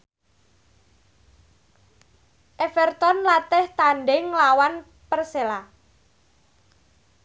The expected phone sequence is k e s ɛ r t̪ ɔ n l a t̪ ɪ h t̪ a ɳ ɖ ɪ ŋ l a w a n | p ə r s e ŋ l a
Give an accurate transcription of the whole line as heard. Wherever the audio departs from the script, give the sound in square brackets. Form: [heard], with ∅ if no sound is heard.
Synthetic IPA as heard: [ʔ] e [f] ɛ r t̪ ɔ n l a t̪ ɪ h t̪ a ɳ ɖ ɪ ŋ l a w a n | p ə r s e [∅] l a

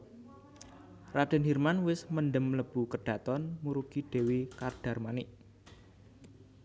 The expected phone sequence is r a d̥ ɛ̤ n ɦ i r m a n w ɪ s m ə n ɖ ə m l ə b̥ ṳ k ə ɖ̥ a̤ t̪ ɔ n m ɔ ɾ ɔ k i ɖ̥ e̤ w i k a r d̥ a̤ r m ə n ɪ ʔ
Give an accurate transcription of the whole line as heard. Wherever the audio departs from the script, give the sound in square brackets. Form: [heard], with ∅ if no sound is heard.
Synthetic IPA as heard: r a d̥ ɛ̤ n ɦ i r m a n w ɪ s m ə n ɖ ə m l ə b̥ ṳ k ə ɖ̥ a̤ t̪ ɔ n m [u] ɾ [u] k i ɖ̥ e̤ w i k a r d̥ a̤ r m [a] n ɪ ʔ

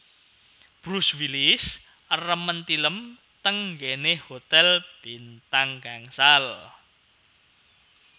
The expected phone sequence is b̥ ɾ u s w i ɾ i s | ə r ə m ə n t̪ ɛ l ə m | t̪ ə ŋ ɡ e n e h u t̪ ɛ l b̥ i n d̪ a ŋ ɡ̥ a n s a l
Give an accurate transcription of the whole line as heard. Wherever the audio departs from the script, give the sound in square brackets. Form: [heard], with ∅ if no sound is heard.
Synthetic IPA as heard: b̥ ɾ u s w i [l] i s | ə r ə m ə n t̪ [i] l ə m | t̪ ə ŋ ɡ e n e h [o] t̪ ɛ l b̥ i n [t̪] a ŋ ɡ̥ a [ŋ] s a l

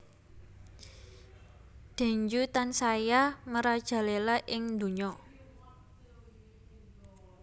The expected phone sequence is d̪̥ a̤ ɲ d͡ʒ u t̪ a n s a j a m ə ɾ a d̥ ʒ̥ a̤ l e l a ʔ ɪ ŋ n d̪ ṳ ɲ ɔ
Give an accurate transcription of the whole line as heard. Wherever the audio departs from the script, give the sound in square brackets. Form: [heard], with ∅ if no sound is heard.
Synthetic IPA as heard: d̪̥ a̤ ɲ d͡ʒ u t̪ a n s a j a m ə ɾ a d̥ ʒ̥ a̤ l e l a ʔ ɪ ŋ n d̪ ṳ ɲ ɔ

